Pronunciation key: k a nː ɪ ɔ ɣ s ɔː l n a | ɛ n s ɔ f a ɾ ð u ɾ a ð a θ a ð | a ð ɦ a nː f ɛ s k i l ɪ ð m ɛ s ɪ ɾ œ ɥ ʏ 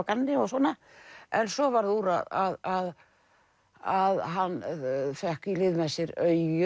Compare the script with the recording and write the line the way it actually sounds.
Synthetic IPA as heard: k a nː ɪ ɔ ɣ s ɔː n a | ɛ n s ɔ v a ɾ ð u ɾ a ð a ð a ð | a ð ɦ a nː f ɛ h k i l ɪ ð m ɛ s ɪ ɾ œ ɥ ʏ